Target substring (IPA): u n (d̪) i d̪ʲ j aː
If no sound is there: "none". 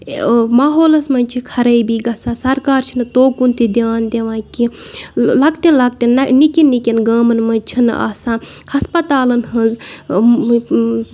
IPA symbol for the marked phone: t̪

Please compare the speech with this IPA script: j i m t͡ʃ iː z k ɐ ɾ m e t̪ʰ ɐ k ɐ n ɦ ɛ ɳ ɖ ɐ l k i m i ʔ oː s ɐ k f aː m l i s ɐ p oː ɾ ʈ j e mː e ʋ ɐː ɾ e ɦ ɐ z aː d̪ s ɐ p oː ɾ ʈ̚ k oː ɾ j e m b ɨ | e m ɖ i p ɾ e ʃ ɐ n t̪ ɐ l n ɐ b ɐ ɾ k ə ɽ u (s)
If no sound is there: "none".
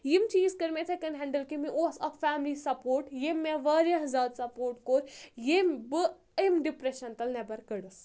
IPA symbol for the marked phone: s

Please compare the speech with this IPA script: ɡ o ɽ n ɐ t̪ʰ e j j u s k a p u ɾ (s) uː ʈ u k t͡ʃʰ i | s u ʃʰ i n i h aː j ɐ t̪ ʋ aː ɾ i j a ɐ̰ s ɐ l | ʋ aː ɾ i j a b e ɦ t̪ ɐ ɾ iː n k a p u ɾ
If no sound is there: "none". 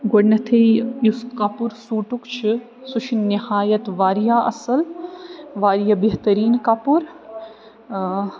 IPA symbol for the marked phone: s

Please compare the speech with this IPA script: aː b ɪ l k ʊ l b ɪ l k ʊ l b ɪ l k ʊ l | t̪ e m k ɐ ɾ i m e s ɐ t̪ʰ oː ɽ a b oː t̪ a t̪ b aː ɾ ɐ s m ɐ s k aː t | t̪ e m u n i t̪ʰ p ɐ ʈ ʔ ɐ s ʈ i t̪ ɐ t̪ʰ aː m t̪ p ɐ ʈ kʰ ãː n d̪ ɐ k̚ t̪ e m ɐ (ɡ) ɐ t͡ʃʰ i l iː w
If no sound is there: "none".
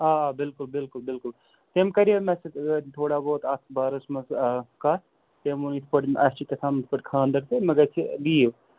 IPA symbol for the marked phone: ɡ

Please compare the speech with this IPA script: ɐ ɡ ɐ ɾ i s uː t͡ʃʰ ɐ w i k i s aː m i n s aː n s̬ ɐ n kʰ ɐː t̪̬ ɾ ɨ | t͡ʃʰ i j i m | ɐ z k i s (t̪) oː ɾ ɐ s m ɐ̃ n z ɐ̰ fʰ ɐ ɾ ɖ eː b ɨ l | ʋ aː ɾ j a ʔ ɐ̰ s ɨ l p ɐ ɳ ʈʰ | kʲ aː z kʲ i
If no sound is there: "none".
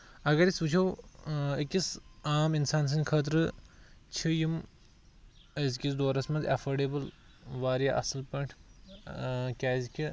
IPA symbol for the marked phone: d̪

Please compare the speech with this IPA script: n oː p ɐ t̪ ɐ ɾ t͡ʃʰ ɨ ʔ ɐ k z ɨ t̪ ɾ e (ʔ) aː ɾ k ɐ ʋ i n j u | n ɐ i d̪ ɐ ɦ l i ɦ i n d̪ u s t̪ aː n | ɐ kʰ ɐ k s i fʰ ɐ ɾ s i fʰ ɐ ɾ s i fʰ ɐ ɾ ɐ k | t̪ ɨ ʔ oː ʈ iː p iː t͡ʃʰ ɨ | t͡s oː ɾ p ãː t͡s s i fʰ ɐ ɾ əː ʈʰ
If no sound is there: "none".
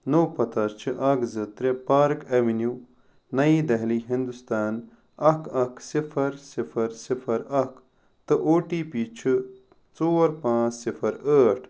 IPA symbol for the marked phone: p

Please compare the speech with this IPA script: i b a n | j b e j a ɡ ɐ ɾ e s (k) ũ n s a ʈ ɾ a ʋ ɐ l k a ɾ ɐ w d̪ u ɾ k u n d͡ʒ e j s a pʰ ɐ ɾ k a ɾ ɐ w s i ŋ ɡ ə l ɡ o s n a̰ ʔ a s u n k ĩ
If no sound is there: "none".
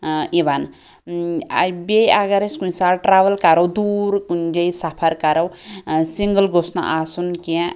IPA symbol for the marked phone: k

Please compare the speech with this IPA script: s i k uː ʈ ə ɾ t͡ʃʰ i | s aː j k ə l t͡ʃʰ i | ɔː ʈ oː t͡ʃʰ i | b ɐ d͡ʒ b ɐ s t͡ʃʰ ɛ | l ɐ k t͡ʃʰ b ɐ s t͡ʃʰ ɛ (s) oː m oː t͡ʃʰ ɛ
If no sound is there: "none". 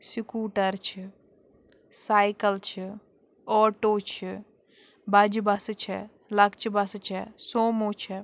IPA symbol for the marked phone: s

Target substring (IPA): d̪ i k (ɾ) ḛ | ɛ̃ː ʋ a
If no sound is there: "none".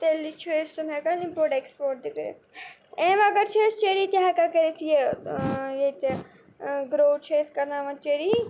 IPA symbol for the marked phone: ɾ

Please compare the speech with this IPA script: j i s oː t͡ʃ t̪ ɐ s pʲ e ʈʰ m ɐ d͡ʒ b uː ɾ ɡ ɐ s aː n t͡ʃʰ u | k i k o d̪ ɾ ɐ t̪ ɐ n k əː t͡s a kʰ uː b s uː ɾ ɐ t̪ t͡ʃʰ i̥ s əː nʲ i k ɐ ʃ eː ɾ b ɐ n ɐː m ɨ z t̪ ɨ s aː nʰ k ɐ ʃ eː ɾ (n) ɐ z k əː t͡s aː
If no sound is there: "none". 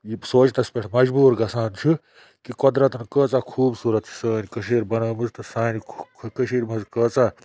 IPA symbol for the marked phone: m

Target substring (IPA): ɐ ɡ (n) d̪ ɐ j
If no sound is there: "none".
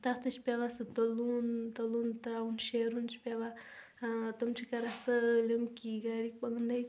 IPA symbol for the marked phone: n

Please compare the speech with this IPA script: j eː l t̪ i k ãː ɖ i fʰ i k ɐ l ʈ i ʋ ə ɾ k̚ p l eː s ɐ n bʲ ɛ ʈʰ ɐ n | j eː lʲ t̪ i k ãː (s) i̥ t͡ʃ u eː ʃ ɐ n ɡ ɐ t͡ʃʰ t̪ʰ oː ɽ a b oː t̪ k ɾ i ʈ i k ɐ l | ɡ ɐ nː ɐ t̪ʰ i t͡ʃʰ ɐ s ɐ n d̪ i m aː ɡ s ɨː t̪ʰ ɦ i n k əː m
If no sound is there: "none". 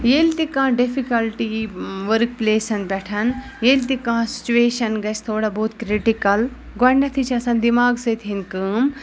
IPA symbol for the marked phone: s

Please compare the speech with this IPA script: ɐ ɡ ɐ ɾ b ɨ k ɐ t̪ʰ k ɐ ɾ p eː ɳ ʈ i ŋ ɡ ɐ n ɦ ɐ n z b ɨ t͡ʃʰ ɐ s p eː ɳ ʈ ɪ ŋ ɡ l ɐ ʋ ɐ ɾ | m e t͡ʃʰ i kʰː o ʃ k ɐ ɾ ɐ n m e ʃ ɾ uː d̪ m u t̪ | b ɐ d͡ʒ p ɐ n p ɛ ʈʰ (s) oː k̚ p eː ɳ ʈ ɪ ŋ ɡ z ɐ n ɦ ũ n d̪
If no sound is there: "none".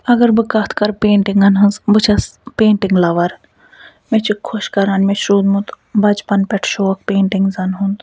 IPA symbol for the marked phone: ʃ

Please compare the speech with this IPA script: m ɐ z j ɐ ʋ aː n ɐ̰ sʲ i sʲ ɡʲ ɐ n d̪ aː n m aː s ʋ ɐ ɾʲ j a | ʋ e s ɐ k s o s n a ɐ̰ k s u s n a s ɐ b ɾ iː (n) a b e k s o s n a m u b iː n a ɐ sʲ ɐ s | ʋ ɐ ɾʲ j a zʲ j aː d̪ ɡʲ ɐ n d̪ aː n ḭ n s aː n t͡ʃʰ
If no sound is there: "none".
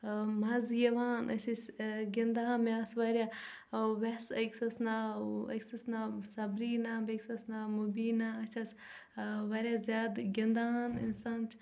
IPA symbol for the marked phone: n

